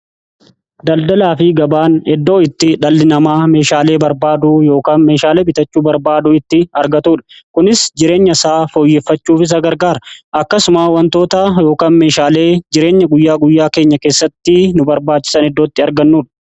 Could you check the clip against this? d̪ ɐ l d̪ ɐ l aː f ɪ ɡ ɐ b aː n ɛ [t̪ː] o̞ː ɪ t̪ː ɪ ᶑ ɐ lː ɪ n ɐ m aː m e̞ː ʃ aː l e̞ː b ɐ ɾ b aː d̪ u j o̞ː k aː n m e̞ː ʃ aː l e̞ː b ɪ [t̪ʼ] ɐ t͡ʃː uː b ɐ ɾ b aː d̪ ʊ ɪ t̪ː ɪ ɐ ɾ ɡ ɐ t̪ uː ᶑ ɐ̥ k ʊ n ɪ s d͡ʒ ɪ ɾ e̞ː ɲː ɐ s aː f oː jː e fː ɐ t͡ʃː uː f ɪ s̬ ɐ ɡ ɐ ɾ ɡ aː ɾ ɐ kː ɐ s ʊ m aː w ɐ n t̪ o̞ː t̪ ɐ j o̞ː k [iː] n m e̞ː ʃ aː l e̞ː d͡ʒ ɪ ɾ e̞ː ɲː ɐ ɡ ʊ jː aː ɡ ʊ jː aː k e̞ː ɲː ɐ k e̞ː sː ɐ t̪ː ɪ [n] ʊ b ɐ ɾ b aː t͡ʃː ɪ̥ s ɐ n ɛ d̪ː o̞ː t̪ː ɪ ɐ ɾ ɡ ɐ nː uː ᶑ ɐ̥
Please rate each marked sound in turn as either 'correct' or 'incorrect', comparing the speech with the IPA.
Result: incorrect, incorrect, incorrect, correct

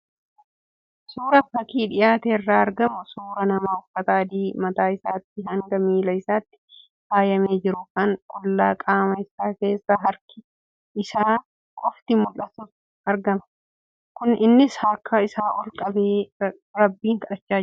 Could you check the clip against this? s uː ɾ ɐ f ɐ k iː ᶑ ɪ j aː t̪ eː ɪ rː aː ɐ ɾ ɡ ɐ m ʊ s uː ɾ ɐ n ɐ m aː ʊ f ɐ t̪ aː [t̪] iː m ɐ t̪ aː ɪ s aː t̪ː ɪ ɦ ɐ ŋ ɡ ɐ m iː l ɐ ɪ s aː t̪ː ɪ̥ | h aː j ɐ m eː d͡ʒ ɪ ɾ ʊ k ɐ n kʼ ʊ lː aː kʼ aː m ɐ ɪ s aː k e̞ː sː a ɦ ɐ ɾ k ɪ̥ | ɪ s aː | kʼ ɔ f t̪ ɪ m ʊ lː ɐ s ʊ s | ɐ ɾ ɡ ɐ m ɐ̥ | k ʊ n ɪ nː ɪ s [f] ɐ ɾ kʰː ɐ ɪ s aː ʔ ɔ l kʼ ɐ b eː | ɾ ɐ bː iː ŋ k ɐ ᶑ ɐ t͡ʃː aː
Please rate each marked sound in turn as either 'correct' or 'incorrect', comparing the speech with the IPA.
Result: incorrect, incorrect

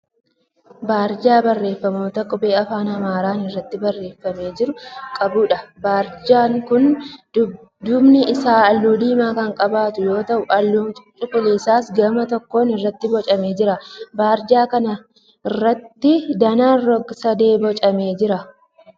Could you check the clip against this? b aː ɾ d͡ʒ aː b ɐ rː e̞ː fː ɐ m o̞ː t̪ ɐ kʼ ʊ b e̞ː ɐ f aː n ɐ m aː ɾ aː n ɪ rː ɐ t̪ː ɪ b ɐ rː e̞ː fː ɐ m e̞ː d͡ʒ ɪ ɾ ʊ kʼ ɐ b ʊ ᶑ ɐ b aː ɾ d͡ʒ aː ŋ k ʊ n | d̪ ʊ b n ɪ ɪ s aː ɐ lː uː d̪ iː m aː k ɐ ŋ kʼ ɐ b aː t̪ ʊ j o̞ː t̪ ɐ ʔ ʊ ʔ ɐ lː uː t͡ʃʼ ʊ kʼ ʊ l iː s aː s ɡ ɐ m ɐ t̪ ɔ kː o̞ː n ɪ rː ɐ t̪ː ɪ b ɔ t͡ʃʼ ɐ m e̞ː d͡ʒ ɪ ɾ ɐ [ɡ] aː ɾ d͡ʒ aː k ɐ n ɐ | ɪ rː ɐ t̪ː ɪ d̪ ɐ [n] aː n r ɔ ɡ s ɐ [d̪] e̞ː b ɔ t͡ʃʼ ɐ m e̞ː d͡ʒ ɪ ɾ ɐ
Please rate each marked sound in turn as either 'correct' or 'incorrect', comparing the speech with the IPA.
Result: incorrect, correct, correct

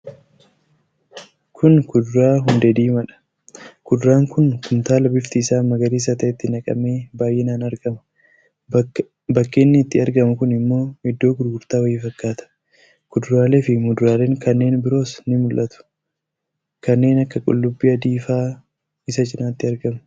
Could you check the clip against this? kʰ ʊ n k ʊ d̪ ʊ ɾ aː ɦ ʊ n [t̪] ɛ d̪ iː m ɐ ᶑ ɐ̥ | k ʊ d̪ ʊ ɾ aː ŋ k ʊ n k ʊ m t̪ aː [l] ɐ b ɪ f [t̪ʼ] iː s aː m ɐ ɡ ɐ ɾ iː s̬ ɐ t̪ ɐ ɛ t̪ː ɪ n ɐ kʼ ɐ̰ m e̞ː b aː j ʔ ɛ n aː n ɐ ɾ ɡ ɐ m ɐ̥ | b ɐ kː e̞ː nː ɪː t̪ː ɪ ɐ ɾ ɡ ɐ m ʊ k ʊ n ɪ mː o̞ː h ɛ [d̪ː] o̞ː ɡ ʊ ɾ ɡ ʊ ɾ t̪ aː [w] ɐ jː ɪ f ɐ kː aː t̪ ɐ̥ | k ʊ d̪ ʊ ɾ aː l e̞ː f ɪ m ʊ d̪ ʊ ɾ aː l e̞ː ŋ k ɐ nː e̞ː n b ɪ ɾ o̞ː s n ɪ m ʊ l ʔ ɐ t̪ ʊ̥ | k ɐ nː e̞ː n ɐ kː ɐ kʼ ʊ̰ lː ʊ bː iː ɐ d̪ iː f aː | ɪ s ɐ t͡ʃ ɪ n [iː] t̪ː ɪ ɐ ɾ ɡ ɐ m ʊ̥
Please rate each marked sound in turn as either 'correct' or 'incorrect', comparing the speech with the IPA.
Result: incorrect, correct, incorrect, correct, correct, incorrect

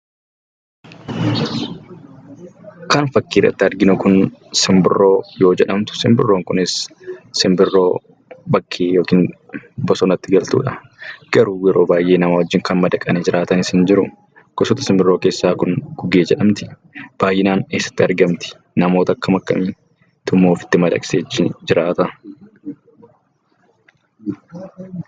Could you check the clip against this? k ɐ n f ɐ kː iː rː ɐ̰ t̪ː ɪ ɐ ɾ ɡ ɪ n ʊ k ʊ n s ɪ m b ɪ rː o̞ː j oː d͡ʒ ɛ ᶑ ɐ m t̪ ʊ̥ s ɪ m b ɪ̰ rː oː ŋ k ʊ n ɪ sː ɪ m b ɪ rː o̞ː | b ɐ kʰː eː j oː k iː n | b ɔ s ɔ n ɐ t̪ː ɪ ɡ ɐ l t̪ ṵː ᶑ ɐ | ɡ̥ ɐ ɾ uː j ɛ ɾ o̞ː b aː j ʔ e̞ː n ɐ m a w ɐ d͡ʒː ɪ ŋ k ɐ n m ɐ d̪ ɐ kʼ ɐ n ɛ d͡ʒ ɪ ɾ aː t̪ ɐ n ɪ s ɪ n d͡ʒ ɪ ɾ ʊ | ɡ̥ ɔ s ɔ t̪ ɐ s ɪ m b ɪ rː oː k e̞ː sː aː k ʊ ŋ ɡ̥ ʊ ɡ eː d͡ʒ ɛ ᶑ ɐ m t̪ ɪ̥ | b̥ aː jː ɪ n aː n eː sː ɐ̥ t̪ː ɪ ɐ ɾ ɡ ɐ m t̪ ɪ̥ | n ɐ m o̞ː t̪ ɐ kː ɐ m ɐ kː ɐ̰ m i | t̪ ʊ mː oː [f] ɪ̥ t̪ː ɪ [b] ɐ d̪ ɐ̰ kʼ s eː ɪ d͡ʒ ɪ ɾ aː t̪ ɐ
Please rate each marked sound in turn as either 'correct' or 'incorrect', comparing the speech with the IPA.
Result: correct, incorrect

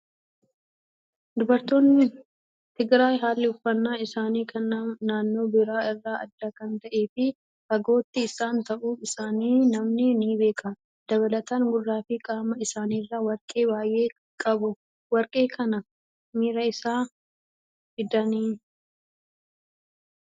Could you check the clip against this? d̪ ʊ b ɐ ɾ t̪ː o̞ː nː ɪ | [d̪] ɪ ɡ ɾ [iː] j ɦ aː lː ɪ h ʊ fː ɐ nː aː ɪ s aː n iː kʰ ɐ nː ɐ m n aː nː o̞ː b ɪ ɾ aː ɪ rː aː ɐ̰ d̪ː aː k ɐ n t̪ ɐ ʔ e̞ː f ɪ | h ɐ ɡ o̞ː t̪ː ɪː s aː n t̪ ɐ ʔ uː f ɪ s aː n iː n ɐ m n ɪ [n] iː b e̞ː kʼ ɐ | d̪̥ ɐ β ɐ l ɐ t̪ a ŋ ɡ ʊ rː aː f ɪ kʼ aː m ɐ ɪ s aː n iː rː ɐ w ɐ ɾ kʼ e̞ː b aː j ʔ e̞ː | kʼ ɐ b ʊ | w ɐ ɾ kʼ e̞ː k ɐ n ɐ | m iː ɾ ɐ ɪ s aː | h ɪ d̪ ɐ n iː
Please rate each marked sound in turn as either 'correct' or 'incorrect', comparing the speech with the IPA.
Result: incorrect, incorrect, correct

